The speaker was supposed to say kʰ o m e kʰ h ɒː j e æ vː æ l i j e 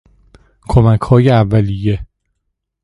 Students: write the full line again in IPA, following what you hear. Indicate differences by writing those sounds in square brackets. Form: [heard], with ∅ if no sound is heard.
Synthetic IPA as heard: kʰ o m [æ] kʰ h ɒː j e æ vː æ l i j e